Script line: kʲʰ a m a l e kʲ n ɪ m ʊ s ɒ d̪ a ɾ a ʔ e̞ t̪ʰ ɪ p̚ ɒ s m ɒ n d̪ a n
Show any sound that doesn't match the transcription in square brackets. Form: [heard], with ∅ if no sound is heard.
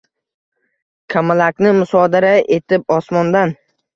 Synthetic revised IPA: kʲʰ a m a l [a] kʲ n ɪ m ʊ s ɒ d̪ a ɾ a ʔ e̞ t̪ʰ ɪ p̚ ɒ s m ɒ n d̪ a n